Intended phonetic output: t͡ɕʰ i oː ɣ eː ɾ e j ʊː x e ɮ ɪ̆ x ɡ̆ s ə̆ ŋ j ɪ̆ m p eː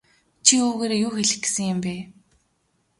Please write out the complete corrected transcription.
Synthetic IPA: t͡ɕʰ i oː ɣ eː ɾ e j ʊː x e ɮ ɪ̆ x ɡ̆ s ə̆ ŋ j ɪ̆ m p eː